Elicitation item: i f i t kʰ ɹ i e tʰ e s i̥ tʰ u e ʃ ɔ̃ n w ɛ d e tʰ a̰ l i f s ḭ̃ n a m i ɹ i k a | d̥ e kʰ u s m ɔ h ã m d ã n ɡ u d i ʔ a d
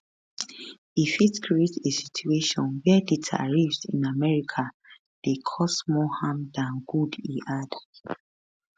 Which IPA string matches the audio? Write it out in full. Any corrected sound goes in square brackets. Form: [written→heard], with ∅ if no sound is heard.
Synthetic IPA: i f i t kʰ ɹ i e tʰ e s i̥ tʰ u e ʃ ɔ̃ n w ɛ d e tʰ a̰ [l→ɹ] i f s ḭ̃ n a m [i→ɛ] ɹ i [k→kʰ] a | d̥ e kʰ [u→ɔ] s m ɔ h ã m d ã n ɡ u d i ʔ a d